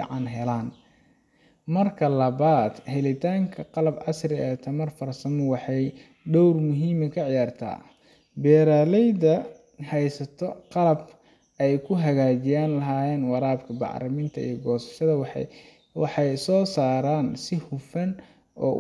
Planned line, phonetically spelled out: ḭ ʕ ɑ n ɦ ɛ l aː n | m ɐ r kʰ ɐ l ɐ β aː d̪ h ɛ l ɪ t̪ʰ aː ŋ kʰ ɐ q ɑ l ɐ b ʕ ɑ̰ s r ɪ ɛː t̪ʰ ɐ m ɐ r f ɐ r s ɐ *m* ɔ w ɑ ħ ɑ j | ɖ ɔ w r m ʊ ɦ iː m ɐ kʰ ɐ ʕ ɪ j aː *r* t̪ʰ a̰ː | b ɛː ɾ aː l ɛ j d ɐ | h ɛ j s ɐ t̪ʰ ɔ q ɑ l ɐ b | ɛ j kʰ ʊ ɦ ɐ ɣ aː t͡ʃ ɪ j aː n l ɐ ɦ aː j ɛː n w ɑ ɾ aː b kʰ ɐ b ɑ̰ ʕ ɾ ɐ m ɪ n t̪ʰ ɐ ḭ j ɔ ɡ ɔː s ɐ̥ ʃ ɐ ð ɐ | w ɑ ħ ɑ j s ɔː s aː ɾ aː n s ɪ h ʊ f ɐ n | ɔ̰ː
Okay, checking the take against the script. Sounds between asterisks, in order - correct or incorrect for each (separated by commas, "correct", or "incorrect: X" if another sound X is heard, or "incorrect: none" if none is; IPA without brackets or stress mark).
correct, correct